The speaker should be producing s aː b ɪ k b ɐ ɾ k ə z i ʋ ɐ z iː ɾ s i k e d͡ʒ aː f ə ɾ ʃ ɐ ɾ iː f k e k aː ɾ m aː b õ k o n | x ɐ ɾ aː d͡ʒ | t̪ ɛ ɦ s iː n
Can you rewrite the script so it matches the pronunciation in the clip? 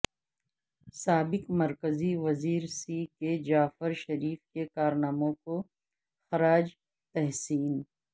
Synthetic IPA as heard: s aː b ɪ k m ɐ ɾ k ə z i ʋ ɐ z iː ɾ s i k e d͡ʒ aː f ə ɾ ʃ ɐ ɾ iː f k e k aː ɾ n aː m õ k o | x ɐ ɾ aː d͡ʒ | t̪ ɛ ɦ s iː n